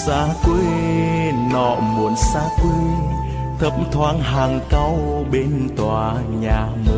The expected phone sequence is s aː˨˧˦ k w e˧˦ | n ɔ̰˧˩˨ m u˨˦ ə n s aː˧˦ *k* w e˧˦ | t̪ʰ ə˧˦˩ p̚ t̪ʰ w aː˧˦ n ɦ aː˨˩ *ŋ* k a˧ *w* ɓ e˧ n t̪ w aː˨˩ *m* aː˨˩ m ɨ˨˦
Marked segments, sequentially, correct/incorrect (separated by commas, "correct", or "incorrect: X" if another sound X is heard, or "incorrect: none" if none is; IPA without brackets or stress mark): correct, correct, correct, incorrect: ɲ